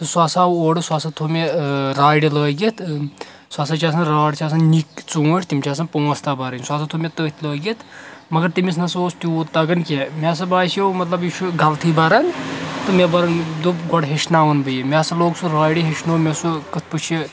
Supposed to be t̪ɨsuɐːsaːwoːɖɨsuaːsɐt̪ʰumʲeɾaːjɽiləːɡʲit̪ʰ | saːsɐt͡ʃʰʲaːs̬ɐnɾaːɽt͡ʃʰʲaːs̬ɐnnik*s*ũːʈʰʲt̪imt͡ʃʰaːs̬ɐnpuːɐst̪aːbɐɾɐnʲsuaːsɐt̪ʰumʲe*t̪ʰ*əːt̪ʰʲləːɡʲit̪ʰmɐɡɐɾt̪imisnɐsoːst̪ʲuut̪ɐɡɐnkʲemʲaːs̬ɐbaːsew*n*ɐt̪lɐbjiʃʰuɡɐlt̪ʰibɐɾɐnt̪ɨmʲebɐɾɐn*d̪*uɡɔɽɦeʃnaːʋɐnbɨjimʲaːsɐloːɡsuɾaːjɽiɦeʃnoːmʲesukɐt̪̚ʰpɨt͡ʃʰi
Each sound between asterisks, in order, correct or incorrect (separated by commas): incorrect, incorrect, incorrect, correct